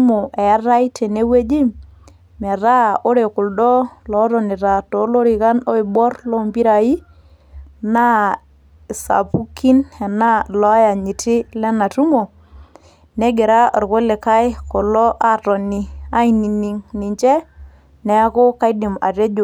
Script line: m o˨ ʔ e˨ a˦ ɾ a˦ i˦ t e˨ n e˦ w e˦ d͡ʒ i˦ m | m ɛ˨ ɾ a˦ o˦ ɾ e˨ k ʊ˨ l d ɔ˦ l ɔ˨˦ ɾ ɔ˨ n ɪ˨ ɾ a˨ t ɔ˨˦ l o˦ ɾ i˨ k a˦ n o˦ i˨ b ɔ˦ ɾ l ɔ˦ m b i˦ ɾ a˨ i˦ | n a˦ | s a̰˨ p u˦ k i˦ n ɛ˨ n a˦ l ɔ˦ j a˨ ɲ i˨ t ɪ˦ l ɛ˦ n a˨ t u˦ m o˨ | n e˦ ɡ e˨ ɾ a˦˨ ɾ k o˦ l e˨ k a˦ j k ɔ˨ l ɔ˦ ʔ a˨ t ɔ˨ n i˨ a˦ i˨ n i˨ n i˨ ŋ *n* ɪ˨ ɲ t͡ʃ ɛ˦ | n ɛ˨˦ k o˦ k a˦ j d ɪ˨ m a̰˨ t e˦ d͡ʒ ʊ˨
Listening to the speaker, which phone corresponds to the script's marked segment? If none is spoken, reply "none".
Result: n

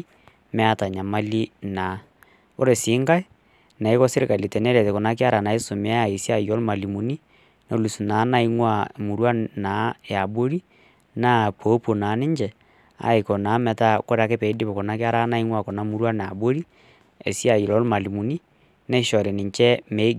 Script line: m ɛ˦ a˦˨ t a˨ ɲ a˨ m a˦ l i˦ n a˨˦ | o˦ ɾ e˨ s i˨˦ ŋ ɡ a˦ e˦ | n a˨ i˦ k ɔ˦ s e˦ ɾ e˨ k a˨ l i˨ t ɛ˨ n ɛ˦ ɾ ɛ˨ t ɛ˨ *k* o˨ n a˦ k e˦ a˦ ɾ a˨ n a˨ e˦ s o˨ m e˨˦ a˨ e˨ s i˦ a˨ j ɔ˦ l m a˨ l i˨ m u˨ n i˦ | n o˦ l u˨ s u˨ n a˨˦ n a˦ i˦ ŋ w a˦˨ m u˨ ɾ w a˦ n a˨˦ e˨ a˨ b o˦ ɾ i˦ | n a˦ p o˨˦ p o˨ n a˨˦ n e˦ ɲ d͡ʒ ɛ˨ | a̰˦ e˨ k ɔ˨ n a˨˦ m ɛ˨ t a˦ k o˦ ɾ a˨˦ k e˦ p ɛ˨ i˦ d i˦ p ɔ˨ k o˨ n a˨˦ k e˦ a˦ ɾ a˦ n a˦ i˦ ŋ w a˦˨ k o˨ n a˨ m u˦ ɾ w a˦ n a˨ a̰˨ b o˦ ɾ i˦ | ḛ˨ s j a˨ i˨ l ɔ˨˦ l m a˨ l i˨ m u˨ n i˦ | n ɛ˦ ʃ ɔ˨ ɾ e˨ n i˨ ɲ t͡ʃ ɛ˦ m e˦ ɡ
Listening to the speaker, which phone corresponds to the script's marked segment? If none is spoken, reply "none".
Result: k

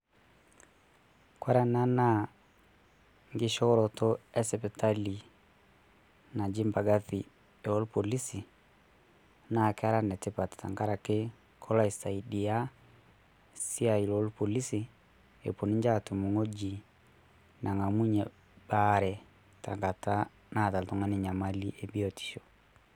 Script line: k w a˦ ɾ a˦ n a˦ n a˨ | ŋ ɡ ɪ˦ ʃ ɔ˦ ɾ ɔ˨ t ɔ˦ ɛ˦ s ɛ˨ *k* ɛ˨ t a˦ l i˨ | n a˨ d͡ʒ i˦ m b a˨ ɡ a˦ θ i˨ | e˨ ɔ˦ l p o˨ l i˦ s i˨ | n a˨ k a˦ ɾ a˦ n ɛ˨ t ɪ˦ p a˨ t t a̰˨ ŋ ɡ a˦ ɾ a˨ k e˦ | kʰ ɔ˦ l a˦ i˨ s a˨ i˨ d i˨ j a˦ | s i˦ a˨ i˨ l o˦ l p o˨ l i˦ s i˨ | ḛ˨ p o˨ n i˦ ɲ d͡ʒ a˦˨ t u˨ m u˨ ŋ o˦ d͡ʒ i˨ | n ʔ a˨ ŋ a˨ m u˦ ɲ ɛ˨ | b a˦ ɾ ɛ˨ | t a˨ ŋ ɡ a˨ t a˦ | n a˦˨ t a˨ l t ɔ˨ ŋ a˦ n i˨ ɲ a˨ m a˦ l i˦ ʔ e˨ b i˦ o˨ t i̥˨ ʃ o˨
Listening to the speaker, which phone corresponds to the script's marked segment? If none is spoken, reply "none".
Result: p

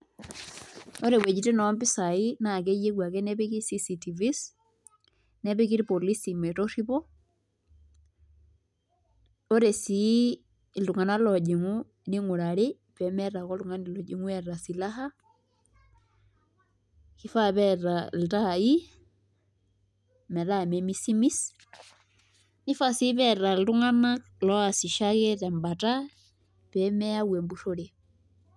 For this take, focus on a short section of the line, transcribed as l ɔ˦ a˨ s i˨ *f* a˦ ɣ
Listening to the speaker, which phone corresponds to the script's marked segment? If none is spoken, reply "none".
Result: ʃ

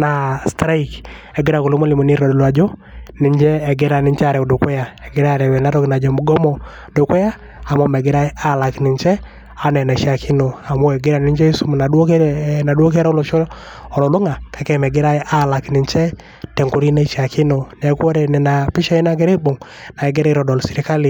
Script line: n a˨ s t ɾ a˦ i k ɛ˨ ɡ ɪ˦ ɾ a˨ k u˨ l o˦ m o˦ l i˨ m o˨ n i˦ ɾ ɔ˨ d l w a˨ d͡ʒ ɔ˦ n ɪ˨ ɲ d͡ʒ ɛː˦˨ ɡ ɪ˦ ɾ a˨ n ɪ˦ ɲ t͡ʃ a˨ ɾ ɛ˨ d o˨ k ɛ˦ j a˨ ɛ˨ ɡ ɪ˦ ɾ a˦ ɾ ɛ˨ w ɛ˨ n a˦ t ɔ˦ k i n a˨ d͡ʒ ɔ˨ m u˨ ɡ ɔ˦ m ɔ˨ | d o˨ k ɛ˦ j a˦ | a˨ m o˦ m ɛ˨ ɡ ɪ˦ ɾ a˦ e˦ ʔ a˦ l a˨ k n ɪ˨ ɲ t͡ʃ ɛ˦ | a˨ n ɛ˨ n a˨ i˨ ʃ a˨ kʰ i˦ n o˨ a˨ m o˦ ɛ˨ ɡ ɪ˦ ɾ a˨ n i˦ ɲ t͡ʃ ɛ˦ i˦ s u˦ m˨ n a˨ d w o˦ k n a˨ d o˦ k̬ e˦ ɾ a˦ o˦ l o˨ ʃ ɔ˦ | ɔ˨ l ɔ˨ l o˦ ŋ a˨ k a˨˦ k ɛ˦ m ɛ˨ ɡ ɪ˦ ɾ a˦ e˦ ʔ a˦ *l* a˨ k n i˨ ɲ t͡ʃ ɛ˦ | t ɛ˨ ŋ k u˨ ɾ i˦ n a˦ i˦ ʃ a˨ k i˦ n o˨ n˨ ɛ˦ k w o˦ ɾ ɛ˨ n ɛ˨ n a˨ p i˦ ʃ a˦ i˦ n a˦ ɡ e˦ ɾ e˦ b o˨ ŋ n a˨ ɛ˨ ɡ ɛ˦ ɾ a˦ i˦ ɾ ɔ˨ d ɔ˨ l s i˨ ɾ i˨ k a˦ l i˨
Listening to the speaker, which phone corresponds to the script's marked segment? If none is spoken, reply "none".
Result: l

